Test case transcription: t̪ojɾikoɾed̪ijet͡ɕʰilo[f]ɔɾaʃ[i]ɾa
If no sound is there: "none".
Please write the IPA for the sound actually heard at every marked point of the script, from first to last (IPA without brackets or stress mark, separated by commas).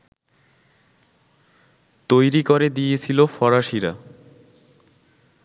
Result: f, i